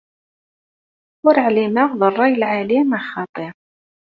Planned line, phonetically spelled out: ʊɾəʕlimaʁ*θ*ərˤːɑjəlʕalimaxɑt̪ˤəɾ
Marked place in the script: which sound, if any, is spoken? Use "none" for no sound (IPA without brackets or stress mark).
ð